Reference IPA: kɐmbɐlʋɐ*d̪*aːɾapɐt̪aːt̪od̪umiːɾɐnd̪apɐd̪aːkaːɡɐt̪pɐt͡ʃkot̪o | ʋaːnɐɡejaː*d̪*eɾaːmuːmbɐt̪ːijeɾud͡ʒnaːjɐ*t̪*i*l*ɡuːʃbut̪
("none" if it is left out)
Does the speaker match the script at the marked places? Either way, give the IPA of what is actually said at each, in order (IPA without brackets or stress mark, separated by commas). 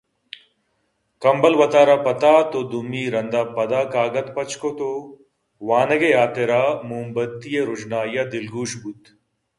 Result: t̪, t̪, d̪, l